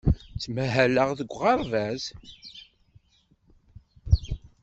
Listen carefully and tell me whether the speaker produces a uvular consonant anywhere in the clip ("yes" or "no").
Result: yes